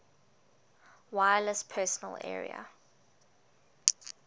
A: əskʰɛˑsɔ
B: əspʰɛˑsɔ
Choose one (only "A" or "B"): B